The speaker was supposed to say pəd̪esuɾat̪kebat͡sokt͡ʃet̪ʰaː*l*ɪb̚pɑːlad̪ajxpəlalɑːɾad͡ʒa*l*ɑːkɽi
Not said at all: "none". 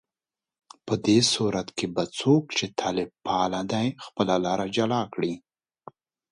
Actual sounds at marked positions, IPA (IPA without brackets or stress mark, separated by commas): l, l